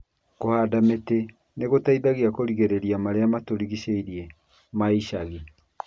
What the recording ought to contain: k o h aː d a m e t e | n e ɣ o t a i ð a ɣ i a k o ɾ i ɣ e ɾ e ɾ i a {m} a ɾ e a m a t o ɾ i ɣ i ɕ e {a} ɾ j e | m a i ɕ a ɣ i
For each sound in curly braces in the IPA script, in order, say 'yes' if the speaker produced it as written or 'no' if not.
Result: yes, no

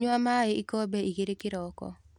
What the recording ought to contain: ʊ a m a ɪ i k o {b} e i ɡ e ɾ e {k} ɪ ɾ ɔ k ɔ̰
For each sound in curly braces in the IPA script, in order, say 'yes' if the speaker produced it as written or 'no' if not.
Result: yes, yes

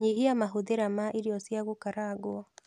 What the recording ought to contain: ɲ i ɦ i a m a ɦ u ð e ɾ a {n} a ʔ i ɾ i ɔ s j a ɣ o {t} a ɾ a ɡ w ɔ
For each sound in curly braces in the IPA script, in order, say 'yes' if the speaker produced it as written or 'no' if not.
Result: no, no

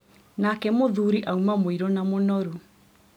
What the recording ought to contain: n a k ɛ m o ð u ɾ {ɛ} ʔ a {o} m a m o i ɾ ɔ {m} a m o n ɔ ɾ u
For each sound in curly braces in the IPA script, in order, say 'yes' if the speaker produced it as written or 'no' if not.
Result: no, no, no

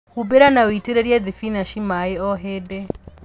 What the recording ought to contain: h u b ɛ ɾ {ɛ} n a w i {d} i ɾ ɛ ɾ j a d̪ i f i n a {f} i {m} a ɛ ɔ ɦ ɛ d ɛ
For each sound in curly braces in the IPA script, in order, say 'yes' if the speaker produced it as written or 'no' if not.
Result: no, no, no, yes

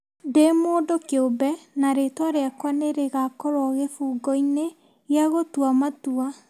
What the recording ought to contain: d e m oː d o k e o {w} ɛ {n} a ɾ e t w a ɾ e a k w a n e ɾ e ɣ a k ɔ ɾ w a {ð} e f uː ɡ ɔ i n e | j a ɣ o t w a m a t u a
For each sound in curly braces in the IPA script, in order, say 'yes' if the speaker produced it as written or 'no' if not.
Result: no, yes, no

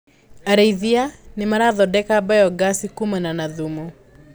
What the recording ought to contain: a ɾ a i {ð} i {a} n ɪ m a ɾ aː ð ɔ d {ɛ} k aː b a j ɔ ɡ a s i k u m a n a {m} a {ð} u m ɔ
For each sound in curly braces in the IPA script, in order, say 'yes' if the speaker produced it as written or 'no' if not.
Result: yes, yes, yes, no, yes

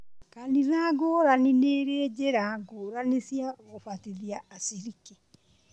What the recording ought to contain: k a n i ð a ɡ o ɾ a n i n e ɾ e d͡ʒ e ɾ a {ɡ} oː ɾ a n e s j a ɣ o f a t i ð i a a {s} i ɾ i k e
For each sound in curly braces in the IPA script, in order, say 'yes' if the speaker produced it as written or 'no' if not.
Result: yes, yes

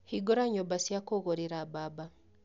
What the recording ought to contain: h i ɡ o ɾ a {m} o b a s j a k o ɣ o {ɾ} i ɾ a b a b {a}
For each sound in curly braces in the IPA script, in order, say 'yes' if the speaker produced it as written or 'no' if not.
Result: no, yes, yes

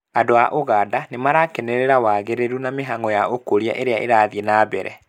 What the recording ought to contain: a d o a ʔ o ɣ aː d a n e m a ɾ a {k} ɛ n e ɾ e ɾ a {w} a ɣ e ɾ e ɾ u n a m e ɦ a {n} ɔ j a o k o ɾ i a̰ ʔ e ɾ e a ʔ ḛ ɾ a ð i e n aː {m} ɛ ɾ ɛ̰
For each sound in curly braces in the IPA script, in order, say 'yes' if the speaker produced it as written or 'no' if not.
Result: yes, yes, no, no

